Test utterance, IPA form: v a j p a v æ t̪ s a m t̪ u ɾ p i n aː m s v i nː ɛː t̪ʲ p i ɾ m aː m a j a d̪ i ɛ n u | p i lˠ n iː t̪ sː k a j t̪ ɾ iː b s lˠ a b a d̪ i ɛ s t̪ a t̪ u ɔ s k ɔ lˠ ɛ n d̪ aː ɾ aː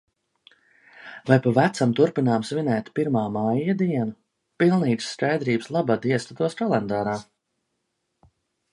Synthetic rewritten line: v a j p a v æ t̪ s a m t̪ u ɾ p i n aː m s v i n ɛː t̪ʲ p i ɾ m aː m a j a d̪ i ɛ n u | p i lˠ n iː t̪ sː k a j d̪ ɾ iː b s lˠ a b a d̪ i ɛ s t̪ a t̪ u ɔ s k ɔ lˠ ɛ n d̪ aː ɾ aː